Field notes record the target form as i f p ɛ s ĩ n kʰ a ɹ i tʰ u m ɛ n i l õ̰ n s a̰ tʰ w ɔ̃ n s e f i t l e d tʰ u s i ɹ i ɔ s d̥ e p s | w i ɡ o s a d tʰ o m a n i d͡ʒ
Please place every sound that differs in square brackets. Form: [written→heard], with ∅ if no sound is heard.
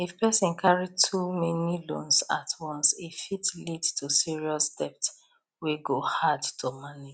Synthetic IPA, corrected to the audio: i f p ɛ s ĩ n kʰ a ɹ i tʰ u m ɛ n i l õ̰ n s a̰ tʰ w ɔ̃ n s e f i t l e d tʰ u s i ɹ i ɔ s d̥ [e→ɛ] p [s→t] | w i ɡ o [s→h] a d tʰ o m a n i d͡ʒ